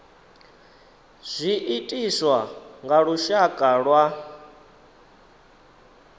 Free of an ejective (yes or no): no